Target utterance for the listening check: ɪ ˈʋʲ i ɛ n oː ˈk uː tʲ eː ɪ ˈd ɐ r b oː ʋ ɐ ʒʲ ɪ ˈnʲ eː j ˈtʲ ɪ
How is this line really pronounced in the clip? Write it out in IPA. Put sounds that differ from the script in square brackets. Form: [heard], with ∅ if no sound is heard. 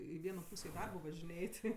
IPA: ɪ ˈʋʲ i ɛ n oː [ˈp] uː [sʲ] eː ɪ ˈd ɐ r b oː ʋ ɐ ʒʲ ɪ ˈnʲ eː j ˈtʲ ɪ

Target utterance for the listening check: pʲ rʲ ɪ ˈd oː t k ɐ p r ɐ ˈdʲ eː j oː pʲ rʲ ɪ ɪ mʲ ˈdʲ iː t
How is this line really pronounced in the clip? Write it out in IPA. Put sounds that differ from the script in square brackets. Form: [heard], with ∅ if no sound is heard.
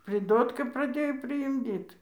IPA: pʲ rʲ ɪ ˈd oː t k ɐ p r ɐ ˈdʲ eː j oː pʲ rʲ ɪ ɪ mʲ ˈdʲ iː t

